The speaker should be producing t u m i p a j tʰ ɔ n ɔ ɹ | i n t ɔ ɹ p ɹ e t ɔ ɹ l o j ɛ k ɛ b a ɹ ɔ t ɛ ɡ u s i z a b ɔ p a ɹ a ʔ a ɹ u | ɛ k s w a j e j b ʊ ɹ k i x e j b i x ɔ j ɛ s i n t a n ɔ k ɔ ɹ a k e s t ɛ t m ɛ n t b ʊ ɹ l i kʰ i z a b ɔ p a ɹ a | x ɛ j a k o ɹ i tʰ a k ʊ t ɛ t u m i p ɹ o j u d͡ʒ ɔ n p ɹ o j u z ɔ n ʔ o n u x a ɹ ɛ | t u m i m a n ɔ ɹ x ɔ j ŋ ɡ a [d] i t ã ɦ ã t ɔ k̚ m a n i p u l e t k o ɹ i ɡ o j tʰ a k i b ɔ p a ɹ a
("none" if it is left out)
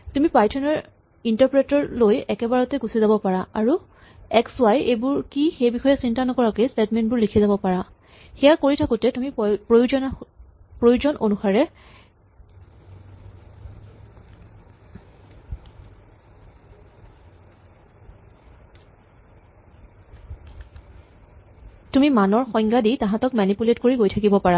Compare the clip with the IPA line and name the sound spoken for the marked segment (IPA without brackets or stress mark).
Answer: d